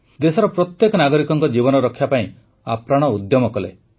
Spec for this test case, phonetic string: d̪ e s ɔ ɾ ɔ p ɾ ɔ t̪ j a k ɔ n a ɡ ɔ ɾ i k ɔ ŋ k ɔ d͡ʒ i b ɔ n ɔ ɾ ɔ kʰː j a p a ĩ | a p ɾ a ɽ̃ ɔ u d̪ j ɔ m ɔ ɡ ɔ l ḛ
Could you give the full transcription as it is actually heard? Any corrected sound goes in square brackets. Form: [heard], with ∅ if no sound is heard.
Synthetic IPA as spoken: d̪ e s ɔ ɾ ɔ p ɾ ɔ t̪ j [e] k ɔ n a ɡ ɔ ɾ i k ɔ ŋ k ɔ d͡ʒ i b ɔ n ɔ ɾ ɔ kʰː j a p a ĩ | a p ɾ a ɽ̃ ɔ u d̪ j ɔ m ɔ [k] ɔ l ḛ